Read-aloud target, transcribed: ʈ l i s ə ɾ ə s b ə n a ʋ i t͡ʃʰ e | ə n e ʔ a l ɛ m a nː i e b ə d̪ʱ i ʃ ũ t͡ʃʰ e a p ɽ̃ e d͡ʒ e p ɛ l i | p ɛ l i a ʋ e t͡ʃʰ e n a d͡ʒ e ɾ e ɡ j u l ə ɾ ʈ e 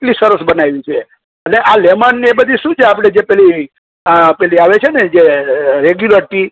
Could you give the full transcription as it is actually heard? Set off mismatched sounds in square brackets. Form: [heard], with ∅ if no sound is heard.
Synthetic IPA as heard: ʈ l i s ə ɾ ə s b ə n a ʋ i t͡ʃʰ e | ə n e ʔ a l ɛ m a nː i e b ə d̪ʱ i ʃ ũ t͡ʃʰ e a p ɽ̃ e d͡ʒ e p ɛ l i | p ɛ l i a ʋ e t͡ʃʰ e n [e] d͡ʒ e ɾ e ɡ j u l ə ɾ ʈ [i]